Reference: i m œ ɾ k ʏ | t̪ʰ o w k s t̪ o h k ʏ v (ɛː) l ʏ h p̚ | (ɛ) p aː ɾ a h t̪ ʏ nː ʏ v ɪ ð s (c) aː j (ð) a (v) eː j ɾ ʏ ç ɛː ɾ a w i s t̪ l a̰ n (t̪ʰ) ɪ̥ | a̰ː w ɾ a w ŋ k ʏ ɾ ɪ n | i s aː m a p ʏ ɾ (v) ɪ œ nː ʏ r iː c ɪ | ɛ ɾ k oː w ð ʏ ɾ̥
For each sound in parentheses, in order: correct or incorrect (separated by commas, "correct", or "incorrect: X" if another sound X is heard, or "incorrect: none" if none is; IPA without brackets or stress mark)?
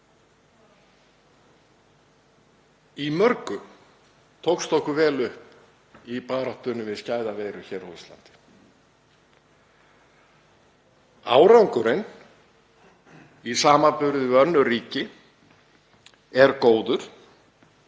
correct, incorrect: i, correct, correct, correct, incorrect: t̪, incorrect: ð